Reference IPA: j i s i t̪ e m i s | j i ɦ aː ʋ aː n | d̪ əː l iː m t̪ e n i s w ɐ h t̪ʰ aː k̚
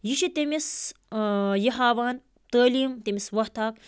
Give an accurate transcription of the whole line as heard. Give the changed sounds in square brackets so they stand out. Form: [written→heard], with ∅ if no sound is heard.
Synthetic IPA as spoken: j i [s→ʃ] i t̪ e m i s | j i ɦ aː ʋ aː n | [d̪→t̪] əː l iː m t̪ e [n→m] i s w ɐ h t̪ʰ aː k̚